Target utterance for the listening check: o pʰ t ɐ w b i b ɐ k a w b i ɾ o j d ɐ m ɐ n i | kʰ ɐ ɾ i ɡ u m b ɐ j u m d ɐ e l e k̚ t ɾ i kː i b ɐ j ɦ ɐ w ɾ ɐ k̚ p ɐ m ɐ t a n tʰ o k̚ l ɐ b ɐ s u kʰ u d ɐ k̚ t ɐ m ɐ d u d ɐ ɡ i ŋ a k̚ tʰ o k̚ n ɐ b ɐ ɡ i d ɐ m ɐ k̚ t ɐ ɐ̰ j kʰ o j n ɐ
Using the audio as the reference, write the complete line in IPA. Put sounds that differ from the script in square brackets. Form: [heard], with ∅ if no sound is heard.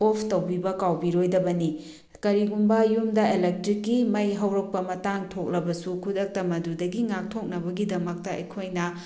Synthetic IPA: o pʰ t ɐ w b i b ɐ k a w b i ɾ o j d ɐ [b] ɐ n i | [k] ɐ ɾ i ɡ u m b ɐ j u m d ɐ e l e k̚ t ɾ i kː i [m] ɐ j ɦ ɐ w ɾ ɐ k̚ p ɐ m ɐ t a [ŋ] tʰ o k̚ l ɐ b ɐ s u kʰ u d ɐ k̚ t ɐ m ɐ d u d ɐ ɡ i ŋ a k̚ tʰ o k̚ n ɐ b ɐ ɡ i d ɐ m ɐ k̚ t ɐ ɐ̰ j kʰ o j n ɐ